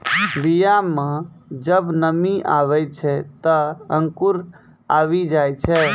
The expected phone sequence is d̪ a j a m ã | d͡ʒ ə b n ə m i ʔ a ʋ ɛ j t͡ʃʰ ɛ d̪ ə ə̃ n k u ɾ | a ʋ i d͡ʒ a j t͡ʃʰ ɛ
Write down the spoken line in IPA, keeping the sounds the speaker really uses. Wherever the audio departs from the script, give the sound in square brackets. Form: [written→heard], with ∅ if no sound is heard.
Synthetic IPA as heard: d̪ [a→i] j a m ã | d͡ʒ ə b n ə m i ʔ a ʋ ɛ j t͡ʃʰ ɛ [d̪→t̪] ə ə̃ [n→ŋ] k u ɾ | a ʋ i d͡ʒ a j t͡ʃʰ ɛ